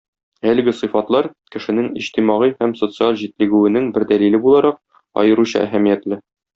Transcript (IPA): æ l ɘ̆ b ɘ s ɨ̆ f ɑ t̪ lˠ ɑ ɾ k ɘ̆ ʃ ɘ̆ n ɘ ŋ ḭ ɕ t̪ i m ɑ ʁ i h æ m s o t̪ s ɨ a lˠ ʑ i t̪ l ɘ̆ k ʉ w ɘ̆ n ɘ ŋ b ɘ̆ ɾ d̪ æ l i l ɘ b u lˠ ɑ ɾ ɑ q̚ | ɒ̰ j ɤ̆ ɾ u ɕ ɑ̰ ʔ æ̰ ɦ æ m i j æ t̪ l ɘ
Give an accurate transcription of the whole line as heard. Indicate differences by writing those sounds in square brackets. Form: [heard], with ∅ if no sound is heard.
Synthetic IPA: æ l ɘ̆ [ɡ] ɘ s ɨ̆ f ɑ t̪ lˠ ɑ ɾ k ɘ̆ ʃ ɘ̆ n ɘ ŋ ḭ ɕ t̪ i m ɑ ʁ i h æ m s o t̪ s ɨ a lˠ ʑ i t̪ l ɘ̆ [ɡ] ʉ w ɘ̆ n ɘ ŋ b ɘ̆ ɾ d̪ æ l i l ɘ b u lˠ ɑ ɾ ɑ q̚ | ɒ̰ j ɤ̆ ɾ u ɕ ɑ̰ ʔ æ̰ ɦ æ m i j æ t̪ l ɘ